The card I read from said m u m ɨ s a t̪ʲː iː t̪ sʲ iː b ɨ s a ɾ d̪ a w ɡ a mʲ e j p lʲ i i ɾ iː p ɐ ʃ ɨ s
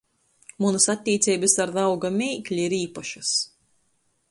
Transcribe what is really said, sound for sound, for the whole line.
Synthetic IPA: m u n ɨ s a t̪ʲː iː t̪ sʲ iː b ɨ s a ɾ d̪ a w ɡ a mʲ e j k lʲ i i ɾ iː p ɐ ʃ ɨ s

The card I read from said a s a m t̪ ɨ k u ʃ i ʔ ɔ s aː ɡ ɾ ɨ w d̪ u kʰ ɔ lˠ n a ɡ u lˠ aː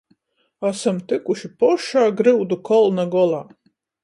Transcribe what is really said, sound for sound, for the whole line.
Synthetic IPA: a s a m t̪ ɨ k u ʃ i p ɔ ʃ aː ɡ ɾ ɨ w d̪ u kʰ ɔ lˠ n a ɡ ɔ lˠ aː

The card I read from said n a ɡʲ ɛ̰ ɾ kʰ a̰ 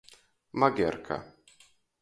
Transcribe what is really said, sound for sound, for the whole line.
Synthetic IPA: m a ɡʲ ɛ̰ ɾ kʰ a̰

